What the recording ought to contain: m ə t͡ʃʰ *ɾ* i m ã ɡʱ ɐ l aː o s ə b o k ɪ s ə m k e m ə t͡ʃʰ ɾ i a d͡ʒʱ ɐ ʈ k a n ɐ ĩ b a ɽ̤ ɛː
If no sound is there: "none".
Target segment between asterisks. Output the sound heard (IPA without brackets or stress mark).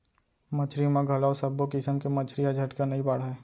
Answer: ɾ